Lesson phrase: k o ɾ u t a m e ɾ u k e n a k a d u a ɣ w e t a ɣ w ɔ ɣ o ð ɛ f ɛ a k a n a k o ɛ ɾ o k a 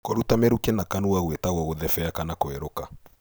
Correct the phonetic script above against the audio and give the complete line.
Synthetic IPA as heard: k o ɾ u t a m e ɾ u k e n a k a n u a ɣ w e t a ɣ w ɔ ɣ o ð ɛ f ɛ a k a n a k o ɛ ɾ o k a